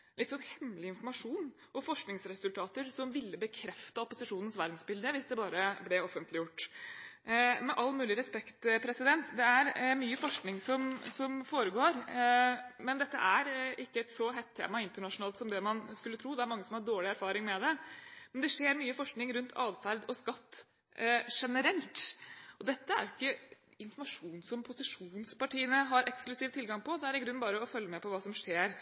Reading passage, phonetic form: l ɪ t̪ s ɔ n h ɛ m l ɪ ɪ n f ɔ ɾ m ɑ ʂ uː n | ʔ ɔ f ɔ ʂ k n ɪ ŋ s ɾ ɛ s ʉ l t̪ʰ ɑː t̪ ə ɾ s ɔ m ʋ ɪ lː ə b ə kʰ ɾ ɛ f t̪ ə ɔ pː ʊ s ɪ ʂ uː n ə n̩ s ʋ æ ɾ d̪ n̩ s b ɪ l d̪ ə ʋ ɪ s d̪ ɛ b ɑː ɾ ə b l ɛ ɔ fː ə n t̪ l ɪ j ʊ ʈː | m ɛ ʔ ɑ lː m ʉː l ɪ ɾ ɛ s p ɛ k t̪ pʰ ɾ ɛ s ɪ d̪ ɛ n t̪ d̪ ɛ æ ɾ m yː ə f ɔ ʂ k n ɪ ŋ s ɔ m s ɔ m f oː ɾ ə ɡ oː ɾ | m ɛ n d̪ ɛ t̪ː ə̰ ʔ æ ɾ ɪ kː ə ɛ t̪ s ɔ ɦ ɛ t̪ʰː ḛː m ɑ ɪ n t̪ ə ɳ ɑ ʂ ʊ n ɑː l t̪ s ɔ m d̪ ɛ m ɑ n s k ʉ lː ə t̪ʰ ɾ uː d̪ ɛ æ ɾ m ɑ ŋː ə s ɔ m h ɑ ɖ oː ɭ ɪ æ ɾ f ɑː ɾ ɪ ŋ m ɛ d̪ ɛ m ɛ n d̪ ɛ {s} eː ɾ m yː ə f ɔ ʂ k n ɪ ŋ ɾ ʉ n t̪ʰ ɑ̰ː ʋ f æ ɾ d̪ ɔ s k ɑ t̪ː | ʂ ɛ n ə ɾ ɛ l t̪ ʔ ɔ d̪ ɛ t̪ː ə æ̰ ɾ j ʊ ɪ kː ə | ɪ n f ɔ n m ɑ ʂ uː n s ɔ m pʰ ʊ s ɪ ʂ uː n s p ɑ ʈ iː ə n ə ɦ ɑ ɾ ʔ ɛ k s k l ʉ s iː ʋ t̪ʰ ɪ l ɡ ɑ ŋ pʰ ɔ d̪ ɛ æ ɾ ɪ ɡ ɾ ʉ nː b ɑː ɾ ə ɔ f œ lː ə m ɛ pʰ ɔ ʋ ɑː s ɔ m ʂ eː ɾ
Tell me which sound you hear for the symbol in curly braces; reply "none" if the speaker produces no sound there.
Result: ʂ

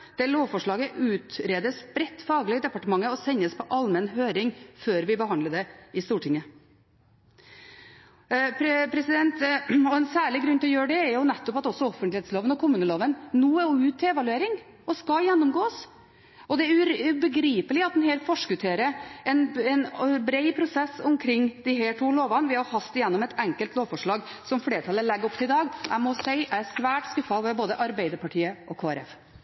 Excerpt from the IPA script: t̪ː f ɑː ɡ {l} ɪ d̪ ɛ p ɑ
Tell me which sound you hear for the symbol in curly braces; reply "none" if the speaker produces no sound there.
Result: l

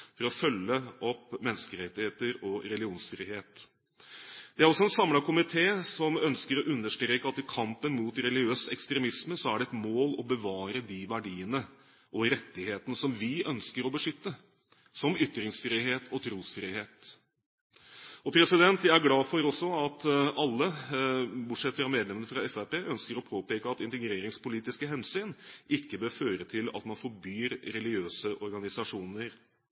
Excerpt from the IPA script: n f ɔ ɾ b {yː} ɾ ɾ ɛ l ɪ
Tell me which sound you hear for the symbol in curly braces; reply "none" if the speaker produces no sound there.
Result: yː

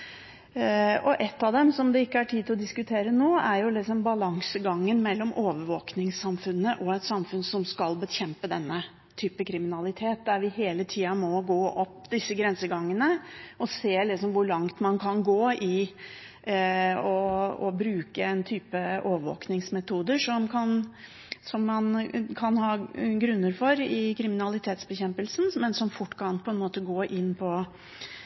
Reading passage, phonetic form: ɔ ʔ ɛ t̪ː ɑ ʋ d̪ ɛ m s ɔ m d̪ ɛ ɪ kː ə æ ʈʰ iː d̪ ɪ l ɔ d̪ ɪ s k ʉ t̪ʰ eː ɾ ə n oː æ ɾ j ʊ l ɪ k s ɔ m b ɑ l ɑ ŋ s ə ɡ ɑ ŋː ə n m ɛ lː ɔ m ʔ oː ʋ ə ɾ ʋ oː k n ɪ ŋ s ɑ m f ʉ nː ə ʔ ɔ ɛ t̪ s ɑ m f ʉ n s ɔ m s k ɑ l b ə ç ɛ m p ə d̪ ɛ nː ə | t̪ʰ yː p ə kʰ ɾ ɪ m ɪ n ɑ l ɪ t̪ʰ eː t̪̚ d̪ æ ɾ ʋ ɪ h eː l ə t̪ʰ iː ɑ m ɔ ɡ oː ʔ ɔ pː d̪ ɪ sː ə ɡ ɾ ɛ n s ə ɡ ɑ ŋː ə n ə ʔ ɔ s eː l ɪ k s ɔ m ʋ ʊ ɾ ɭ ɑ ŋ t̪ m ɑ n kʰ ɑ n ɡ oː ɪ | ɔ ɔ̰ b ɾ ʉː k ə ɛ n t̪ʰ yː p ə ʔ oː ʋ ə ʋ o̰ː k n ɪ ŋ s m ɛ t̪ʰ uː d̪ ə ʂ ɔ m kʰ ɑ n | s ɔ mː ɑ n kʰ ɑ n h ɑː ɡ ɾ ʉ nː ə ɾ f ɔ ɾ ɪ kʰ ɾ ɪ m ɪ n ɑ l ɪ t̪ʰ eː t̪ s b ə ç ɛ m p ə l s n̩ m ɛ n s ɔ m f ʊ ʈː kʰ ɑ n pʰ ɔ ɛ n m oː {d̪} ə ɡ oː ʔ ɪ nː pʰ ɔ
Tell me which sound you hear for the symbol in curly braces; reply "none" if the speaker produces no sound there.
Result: t̪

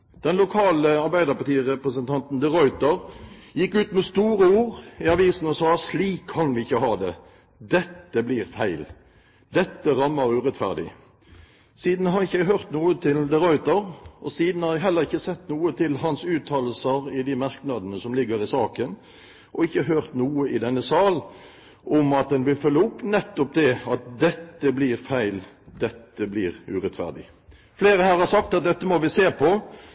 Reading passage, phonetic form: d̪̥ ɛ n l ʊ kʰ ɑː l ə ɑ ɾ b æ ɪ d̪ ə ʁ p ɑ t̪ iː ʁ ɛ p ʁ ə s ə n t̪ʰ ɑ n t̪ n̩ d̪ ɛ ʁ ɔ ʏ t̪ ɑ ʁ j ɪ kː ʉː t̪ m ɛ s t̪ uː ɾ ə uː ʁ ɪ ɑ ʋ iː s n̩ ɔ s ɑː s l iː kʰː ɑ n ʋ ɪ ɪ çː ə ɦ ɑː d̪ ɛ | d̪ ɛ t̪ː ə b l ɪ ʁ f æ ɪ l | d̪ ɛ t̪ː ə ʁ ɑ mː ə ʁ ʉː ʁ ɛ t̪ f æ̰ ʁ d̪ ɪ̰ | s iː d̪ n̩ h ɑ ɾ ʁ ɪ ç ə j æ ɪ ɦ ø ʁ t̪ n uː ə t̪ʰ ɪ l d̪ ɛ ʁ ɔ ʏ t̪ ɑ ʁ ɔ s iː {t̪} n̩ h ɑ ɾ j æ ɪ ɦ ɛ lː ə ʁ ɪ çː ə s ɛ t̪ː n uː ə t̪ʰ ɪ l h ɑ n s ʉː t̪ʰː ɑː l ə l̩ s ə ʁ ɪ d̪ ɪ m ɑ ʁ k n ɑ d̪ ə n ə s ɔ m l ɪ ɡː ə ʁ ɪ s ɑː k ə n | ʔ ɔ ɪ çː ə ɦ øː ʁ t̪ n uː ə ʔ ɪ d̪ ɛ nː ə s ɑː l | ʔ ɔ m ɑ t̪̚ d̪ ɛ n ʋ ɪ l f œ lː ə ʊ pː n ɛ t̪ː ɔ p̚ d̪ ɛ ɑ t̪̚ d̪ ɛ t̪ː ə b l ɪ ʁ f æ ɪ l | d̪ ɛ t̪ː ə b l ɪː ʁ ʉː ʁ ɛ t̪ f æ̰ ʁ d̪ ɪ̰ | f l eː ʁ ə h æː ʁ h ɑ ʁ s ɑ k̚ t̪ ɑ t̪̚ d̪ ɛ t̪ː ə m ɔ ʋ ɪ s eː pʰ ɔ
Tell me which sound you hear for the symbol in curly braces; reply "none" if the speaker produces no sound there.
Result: d̪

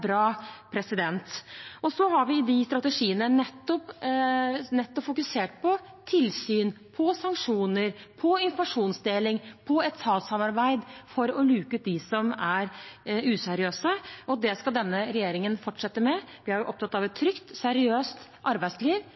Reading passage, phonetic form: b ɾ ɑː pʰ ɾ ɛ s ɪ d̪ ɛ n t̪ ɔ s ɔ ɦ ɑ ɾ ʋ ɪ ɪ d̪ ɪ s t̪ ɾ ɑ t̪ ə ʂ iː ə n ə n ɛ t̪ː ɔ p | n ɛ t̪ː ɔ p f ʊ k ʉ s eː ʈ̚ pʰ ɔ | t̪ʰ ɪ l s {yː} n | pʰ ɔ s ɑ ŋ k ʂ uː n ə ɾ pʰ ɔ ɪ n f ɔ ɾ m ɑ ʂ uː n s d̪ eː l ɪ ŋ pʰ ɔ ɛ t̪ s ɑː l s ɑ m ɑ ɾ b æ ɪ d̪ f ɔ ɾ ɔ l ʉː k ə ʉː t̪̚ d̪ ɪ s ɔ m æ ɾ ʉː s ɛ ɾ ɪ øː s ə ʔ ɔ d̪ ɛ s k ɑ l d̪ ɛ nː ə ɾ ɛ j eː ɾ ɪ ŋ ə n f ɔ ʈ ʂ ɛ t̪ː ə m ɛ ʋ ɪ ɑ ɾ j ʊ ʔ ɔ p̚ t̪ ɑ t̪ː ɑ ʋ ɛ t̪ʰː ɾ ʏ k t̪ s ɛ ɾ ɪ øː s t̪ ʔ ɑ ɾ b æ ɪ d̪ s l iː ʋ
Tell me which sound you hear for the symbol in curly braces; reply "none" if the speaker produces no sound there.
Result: yː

